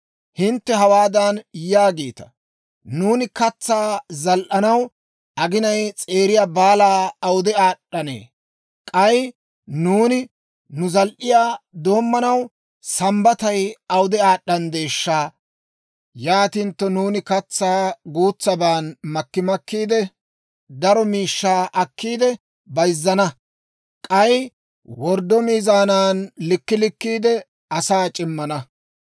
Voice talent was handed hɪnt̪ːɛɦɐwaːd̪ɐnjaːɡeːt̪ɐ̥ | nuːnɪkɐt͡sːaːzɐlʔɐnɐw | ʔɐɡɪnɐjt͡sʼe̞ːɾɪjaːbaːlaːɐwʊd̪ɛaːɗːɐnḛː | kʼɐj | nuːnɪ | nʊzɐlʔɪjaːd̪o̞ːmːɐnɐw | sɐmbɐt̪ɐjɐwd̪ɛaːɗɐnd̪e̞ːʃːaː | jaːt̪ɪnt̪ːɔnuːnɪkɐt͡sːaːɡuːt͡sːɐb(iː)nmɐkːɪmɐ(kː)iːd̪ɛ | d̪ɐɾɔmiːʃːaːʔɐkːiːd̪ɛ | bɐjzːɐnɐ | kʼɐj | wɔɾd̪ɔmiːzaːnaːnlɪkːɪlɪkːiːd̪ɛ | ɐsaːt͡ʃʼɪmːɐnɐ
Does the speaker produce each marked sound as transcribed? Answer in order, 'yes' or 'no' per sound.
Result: no, yes

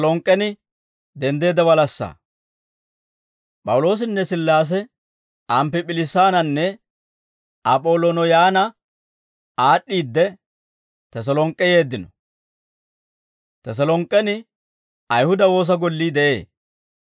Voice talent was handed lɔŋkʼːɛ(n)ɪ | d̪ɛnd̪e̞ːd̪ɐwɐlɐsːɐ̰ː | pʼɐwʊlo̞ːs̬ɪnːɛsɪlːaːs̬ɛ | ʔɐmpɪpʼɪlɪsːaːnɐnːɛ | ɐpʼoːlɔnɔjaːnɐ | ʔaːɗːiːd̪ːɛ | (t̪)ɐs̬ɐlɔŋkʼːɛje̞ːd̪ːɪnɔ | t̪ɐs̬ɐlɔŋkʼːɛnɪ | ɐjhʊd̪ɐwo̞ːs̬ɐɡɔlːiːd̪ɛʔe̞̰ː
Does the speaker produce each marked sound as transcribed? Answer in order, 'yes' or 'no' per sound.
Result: yes, yes

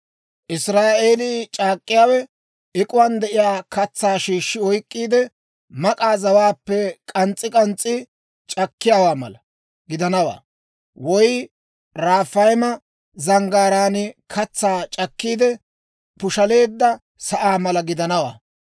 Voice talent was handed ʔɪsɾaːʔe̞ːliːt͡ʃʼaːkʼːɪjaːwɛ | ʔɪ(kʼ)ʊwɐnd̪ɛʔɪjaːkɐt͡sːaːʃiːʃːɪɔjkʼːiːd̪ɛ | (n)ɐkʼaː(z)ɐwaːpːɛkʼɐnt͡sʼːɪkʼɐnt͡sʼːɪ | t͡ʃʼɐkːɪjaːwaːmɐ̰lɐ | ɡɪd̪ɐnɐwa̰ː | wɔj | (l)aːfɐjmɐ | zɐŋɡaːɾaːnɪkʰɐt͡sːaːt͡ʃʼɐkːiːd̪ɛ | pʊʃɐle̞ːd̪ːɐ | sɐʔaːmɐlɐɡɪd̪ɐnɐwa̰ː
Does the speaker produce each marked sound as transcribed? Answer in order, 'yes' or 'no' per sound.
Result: yes, no, yes, no

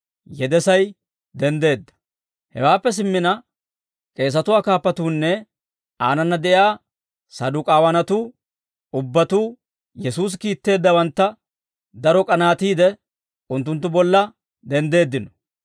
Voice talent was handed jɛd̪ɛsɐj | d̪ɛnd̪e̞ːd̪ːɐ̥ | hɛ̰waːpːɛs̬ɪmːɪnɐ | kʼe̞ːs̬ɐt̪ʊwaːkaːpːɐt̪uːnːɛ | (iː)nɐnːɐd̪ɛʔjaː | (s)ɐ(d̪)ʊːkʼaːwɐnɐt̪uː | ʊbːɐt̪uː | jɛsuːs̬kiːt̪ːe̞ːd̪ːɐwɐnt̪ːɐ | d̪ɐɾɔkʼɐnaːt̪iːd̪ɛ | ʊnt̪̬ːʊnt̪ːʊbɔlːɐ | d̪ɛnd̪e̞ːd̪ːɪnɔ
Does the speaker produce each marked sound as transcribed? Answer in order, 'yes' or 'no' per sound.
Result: no, yes, yes

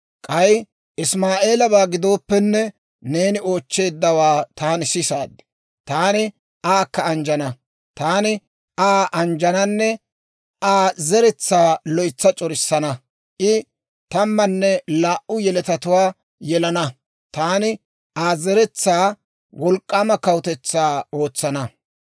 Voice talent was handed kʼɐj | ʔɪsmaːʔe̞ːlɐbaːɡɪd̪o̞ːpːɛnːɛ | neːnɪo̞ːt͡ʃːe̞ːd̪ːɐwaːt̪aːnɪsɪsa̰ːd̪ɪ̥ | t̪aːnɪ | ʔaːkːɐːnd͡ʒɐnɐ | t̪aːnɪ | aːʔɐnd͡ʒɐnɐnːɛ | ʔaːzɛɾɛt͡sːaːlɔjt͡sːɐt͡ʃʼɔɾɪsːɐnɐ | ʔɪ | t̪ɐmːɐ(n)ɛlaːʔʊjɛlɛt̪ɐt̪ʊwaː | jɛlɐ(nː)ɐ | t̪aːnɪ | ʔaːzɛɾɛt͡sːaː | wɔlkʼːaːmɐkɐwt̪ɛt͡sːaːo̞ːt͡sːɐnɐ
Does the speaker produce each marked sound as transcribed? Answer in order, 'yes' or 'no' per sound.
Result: no, no

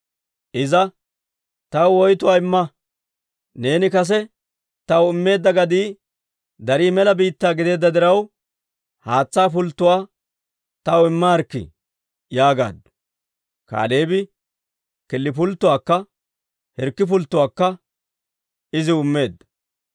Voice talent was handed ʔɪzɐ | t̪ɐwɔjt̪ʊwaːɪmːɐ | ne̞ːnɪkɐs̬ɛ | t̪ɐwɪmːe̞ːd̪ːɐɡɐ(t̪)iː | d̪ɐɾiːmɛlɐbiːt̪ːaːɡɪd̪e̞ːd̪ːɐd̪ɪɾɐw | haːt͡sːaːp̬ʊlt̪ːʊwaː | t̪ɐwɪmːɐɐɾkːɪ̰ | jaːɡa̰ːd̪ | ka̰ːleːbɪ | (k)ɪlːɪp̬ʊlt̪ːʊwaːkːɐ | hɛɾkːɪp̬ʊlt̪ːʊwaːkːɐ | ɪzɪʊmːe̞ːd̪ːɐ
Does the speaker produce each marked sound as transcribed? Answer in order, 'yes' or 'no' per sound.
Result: no, yes

